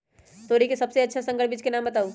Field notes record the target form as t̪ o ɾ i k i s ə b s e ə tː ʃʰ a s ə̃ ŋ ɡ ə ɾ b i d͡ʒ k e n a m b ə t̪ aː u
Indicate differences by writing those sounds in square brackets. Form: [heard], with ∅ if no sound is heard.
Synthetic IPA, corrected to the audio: t̪ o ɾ i k [e] s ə b s e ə tː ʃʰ a s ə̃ ŋ ɡ ə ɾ b i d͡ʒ k e n a m b ə t̪ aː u